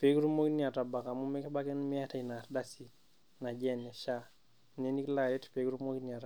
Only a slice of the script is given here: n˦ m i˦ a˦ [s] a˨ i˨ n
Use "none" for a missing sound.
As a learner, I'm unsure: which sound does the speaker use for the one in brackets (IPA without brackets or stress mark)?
t